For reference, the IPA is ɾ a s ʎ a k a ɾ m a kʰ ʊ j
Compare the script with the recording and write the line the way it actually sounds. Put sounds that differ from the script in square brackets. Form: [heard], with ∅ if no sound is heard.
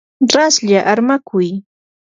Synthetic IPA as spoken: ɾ a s ʎ a [ʔ] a ɾ m a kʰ ʊ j